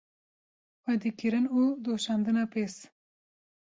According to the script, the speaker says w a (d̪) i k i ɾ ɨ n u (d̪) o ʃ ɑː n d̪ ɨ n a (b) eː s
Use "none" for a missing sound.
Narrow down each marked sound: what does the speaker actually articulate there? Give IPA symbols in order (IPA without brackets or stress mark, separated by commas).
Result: d̪, d̪, p